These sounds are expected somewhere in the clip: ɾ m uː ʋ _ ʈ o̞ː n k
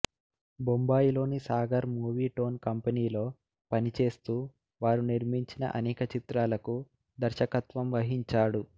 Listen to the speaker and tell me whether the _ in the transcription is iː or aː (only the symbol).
iː